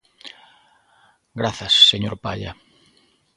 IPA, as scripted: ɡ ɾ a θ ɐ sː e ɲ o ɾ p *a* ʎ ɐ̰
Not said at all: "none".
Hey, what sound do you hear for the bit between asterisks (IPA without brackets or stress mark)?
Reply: a